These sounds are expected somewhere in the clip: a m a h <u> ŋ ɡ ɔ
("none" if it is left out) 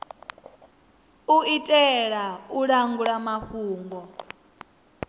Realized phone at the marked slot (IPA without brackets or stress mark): uː